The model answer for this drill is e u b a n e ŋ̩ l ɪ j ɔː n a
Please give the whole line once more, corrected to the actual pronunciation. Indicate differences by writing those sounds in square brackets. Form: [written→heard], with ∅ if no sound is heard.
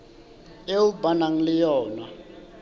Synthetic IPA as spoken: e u b a n [e→a] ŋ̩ l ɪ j ɔː n a